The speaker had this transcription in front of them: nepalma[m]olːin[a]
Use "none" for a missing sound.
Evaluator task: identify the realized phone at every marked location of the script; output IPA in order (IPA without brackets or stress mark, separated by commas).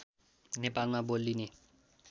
b, e